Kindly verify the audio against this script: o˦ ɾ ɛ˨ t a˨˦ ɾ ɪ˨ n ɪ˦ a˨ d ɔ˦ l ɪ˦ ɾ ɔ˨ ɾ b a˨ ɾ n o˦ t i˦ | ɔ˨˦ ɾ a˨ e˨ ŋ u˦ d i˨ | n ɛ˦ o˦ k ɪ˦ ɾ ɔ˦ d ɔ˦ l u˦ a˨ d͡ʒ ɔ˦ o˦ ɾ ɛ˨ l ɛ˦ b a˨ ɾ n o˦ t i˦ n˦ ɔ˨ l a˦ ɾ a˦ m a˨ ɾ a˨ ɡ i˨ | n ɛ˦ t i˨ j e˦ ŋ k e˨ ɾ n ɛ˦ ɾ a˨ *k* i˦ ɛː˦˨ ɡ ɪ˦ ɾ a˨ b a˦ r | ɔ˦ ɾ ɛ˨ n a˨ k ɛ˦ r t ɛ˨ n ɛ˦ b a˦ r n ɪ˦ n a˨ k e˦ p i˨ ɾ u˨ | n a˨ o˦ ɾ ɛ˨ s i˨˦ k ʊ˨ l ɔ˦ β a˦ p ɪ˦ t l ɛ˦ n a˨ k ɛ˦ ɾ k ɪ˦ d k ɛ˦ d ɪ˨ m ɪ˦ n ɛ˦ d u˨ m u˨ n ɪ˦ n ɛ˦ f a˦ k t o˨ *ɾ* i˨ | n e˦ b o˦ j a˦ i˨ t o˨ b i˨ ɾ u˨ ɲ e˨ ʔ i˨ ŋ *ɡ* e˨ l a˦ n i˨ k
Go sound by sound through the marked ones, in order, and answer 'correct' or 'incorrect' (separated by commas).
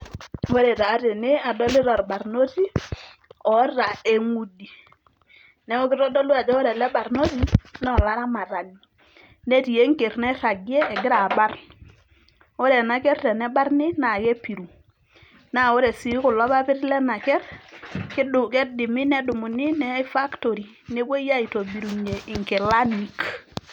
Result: incorrect, correct, incorrect